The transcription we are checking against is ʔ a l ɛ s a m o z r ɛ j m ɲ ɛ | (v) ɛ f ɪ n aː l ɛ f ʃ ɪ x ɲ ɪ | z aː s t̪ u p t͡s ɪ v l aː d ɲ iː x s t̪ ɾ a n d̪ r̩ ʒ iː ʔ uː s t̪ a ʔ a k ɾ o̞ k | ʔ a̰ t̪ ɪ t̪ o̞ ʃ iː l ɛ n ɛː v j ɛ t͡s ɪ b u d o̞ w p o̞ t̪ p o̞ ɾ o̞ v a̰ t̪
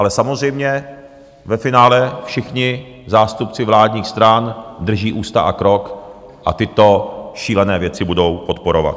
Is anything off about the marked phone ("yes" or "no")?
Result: no